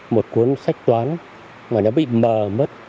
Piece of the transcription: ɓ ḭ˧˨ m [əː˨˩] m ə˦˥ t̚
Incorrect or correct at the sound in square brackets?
correct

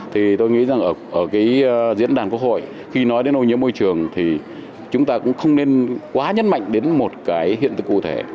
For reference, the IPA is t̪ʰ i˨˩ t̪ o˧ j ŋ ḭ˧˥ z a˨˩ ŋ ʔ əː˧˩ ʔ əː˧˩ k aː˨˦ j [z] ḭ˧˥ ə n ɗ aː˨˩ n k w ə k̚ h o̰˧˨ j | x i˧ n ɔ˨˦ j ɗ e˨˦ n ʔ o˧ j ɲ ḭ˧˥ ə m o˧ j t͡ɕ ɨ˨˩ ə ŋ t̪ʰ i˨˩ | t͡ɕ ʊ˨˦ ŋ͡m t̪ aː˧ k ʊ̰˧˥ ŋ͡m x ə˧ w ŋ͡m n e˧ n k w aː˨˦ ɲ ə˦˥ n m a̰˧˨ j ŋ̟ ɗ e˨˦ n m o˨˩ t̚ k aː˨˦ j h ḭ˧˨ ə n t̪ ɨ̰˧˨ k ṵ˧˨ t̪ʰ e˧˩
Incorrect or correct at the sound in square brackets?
correct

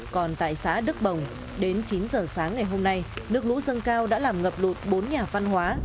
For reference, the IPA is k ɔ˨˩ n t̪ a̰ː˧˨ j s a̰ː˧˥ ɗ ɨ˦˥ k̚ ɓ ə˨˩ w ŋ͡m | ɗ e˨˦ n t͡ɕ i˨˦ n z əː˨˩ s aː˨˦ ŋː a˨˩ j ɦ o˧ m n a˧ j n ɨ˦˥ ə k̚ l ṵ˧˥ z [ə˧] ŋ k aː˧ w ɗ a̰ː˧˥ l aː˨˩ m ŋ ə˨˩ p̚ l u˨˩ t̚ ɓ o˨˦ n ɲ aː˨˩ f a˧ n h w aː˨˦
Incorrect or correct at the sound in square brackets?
correct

